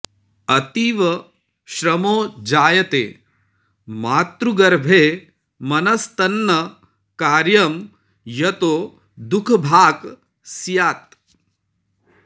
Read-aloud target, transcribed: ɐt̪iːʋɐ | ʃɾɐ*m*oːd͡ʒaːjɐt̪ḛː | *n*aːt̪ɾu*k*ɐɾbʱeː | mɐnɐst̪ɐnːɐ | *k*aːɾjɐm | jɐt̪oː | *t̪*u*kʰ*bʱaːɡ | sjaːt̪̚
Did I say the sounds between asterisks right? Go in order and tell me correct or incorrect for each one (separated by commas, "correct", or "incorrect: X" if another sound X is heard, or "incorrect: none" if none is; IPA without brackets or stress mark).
correct, incorrect: m, incorrect: ɡ, correct, incorrect: d̪, correct